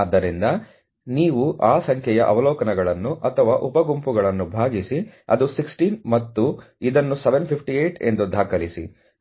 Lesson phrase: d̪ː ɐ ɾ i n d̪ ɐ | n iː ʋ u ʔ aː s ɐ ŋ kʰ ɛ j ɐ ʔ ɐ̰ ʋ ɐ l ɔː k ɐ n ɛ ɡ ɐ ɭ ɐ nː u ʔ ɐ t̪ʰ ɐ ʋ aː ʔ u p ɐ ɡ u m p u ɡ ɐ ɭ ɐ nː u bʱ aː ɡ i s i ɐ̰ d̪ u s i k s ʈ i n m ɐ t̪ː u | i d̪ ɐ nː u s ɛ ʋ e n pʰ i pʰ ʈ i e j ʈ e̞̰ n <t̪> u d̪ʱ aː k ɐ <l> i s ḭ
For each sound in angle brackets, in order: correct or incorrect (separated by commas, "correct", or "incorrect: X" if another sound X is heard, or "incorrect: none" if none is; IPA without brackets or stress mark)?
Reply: incorrect: d̪, correct